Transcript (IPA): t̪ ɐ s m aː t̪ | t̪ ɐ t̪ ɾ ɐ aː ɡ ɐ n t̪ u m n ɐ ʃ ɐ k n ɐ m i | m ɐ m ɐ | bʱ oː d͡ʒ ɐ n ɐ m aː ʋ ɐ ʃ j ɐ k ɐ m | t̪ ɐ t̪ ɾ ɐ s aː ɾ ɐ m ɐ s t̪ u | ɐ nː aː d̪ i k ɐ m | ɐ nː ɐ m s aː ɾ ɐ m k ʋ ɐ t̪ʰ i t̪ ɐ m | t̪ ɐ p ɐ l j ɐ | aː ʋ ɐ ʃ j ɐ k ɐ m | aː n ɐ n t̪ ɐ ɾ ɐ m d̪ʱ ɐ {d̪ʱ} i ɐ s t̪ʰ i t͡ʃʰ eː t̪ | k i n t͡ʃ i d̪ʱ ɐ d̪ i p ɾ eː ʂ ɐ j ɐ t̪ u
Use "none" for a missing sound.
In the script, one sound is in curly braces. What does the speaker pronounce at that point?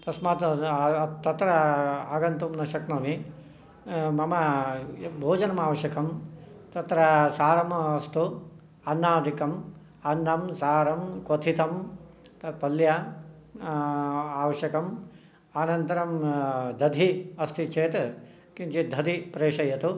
d̪ʱ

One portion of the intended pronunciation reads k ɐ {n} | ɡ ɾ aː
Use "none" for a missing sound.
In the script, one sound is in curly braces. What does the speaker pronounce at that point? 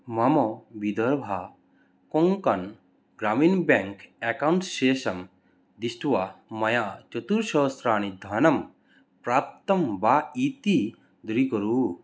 n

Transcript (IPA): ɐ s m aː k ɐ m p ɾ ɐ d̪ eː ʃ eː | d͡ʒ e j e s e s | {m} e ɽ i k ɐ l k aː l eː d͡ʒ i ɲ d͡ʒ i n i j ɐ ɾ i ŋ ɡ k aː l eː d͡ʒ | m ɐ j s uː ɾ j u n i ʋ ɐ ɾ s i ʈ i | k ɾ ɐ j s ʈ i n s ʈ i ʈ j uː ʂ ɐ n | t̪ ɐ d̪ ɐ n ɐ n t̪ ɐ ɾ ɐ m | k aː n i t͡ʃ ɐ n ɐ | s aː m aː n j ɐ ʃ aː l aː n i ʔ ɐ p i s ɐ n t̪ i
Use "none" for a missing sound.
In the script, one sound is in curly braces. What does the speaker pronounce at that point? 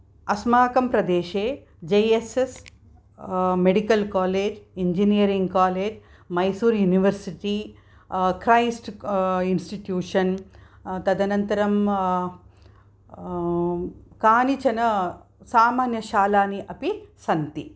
m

